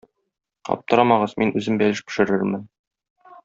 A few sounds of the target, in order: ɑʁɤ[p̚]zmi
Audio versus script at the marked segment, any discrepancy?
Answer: yes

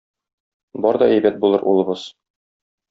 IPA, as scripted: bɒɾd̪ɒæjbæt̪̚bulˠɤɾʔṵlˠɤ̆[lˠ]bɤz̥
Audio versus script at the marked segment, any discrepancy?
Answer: yes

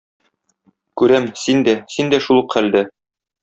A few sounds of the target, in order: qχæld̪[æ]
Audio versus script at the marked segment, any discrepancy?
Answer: no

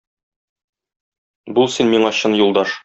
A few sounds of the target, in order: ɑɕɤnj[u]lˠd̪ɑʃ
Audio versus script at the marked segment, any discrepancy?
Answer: no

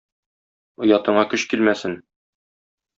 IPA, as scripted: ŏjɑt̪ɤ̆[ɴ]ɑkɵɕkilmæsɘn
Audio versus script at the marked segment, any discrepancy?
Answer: no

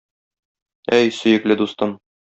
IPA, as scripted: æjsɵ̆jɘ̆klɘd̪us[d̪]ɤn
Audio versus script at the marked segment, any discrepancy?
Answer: yes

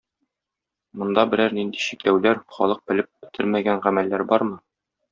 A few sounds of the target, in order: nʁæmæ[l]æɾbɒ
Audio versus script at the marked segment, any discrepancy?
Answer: yes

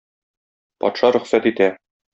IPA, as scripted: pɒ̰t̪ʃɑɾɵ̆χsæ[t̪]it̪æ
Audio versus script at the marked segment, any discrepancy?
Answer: no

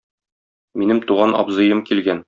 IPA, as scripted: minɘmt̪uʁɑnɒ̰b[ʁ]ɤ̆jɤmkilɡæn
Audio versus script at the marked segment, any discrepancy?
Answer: yes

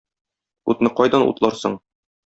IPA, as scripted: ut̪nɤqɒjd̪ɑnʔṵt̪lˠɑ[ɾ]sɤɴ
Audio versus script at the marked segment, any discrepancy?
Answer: no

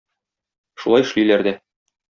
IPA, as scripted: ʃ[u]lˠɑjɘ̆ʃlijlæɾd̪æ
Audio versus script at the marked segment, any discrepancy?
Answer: no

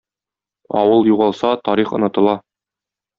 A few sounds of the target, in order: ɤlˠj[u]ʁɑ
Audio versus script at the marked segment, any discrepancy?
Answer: no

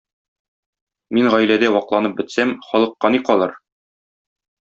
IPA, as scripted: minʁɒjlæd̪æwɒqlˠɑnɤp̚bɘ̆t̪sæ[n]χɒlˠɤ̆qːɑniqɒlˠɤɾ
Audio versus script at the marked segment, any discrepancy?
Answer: yes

